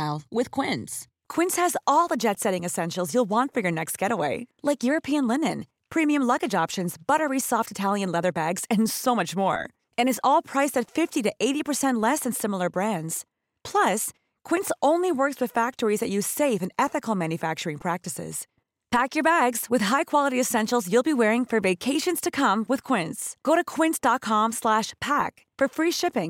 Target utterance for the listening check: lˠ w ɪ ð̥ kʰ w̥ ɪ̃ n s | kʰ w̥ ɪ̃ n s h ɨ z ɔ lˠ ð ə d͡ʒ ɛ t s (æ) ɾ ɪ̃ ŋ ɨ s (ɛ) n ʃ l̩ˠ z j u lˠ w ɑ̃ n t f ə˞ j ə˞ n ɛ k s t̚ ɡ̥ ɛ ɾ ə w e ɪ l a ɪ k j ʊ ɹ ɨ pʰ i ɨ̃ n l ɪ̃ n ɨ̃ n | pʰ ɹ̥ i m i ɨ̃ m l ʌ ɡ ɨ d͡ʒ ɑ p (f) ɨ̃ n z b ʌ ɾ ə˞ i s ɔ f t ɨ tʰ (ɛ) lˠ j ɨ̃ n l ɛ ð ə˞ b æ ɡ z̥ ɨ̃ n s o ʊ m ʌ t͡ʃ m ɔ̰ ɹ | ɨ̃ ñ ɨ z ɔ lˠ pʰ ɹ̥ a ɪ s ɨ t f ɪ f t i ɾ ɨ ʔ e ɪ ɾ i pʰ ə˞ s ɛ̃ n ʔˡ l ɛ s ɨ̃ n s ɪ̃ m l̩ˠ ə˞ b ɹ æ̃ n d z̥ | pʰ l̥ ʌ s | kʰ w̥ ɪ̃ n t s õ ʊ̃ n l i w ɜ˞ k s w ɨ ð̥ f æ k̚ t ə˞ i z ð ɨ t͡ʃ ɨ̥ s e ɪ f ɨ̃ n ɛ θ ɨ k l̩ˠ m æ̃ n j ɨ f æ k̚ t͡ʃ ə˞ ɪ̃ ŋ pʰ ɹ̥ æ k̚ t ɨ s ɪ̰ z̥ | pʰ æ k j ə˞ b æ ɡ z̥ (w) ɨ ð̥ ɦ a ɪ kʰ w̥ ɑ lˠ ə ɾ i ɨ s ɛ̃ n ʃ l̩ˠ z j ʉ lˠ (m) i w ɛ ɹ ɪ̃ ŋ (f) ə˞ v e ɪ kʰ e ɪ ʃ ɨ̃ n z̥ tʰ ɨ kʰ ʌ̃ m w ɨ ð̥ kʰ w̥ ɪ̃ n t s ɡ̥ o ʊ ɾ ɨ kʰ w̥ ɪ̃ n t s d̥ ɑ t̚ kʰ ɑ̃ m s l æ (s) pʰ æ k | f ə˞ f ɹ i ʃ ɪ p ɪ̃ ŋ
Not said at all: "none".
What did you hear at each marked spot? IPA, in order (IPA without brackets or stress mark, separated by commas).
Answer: ɛ, ɛ̃, ʃ, æ, w, b, f, ʃ